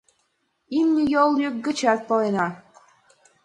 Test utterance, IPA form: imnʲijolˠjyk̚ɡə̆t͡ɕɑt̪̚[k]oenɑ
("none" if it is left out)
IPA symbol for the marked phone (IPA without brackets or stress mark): p